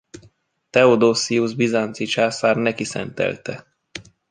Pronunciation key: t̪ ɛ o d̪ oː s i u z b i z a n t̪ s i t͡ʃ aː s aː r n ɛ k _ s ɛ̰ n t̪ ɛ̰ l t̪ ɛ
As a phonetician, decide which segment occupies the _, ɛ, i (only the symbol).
i